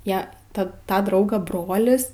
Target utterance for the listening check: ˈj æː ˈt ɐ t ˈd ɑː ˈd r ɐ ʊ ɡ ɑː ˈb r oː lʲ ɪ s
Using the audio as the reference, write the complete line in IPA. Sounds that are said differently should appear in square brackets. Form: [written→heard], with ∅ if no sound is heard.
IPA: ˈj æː ˈt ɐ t [ˈd→ˈt] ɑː ˈd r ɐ ʊ ɡ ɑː ˈb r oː lʲ ɪ s